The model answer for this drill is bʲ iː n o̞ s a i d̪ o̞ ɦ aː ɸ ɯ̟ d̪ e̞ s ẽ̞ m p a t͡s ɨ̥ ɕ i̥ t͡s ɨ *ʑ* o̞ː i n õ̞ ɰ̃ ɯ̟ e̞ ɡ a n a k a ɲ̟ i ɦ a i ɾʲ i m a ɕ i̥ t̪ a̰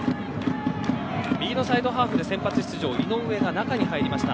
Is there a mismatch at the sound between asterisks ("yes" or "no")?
no